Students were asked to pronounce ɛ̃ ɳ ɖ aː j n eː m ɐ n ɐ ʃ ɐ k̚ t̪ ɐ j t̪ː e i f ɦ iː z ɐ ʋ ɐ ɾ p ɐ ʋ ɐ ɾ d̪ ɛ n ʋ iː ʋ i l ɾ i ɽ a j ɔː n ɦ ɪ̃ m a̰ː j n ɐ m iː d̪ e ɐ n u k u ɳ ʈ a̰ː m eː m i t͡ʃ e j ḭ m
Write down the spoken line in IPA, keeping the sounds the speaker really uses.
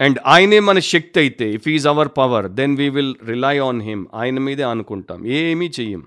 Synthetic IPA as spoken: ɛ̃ ɳ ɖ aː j n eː m ɐ n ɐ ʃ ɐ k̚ t̪ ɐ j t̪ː e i f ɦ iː z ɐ ʋ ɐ ɾ p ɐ ʋ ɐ ɾ d̪ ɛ n ʋ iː ʋ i l ɾ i l a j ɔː n ɦ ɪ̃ m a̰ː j n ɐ m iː d̪ e ɐ n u k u ɳ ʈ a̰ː m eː m i t͡ʃ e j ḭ m